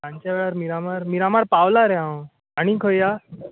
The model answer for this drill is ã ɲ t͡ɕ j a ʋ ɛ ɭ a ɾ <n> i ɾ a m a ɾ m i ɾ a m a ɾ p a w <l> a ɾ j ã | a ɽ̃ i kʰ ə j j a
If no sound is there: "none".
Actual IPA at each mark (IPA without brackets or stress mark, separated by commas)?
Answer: m, l